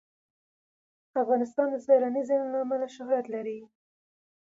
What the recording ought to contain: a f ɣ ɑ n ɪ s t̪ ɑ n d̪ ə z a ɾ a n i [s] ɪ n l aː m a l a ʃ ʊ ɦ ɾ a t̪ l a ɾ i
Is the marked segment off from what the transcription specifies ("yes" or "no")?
yes